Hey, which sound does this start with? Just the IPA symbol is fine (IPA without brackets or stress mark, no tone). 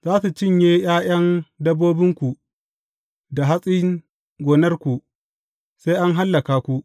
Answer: z